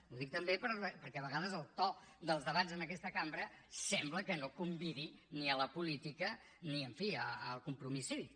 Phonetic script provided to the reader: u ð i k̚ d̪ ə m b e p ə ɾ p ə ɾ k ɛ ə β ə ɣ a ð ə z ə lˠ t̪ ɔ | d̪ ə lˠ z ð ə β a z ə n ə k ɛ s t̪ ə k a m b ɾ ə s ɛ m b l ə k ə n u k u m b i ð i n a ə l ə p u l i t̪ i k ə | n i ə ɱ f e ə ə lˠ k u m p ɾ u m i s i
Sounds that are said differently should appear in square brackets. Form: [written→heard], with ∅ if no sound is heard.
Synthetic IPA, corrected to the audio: u ð i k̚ [d̪→t̪] ə m b e p ə ɾ p ə ɾ k ɛ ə β ə ɣ a ð ə z ə lˠ t̪ ɔ | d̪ ə lˠ z ð ə β a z ə n ə k ɛ s t̪ ə k a m b ɾ ə s ɛ m b l ə k ə n [u→o] k u m b i ð i n [a→i] ə l ə p u l i t̪ i k ə | n i ə ɱ f [e→i] ə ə lˠ k u m p ɾ u m i s i